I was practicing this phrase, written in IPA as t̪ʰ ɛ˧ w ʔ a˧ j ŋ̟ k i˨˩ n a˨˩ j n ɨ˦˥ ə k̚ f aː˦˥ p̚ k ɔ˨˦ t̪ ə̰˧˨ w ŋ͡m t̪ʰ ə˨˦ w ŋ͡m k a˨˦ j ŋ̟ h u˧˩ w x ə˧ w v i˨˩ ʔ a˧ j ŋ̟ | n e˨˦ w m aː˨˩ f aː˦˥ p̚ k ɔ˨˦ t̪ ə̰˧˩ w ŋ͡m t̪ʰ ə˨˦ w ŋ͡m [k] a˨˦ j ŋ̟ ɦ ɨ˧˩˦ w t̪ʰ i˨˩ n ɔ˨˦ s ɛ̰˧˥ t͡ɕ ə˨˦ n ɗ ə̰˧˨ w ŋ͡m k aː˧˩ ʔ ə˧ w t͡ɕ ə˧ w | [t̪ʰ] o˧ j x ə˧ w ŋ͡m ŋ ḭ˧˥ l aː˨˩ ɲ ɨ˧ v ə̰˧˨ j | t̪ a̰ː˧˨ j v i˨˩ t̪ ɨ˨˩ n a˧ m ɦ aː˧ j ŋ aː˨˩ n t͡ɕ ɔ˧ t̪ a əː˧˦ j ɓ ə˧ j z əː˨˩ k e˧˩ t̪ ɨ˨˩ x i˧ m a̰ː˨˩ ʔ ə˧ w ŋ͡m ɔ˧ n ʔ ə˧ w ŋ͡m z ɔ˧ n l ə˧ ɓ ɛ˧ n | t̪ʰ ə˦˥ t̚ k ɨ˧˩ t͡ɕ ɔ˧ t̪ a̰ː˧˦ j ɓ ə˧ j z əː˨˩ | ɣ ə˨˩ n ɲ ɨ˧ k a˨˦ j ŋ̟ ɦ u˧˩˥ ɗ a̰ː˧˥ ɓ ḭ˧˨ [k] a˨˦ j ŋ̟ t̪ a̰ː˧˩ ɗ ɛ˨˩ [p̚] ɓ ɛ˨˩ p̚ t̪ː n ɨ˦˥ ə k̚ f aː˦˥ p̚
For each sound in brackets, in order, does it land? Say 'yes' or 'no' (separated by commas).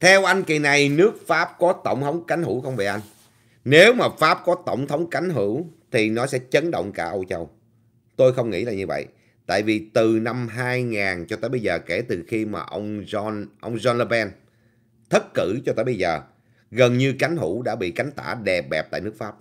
yes, no, yes, yes